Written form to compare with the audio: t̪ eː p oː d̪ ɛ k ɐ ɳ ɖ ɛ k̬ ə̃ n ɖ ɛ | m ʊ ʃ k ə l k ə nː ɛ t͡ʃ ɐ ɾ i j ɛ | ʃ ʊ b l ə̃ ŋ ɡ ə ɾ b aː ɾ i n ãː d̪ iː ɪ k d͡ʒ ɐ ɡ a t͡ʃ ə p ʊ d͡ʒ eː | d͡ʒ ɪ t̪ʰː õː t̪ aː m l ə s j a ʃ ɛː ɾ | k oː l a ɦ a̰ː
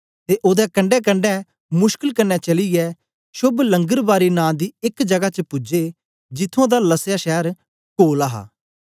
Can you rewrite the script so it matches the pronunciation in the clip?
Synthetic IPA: t̪ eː ʔ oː d̪ ɛ k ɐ ɳ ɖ ɛ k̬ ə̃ ɳ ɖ ɛ | m ʊ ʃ k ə l k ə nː ɛ t͡ʃ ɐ l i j ɛ | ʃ ʊ b l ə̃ ŋ ɡ ə ɾ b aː ɾ i n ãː d̪ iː ɪ k d͡ʒ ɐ ɡ a t͡ʃ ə p ʊ d͡ʒ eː | d͡ʒ ɪ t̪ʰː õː d̪ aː l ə s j a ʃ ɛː ɾ | k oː l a ɦ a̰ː